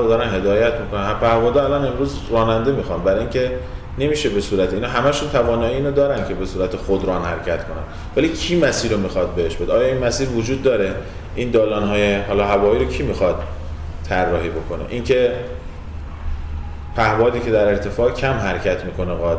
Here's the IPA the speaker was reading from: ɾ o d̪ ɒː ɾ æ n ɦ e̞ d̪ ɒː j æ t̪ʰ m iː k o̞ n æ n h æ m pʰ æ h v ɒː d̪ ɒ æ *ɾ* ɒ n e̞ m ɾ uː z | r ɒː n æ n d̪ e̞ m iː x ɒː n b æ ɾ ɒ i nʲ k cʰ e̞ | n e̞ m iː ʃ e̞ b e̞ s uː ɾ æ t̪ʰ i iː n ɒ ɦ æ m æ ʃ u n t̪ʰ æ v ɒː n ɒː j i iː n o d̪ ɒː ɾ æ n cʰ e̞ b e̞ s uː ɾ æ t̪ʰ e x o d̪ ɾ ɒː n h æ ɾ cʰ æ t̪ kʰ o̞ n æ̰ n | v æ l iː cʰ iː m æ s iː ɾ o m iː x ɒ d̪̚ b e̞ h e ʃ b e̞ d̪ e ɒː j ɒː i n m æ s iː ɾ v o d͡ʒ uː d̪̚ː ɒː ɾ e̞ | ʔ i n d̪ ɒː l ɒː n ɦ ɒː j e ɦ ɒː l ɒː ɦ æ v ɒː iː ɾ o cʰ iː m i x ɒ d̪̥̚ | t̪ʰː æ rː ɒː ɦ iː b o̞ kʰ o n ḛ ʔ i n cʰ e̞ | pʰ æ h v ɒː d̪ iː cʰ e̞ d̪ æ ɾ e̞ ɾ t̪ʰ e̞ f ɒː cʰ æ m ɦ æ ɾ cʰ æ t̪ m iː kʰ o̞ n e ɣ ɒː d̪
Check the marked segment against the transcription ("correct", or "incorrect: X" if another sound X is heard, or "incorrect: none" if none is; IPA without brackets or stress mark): incorrect: l